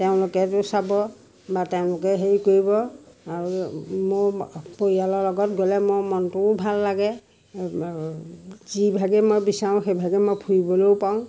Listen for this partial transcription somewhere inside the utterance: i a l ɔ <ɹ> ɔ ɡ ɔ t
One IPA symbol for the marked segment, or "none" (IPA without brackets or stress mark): l